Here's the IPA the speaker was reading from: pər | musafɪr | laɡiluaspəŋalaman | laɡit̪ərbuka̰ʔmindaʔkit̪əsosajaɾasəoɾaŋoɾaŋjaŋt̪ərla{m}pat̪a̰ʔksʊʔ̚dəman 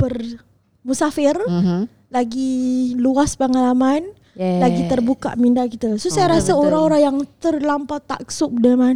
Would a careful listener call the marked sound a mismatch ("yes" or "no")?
no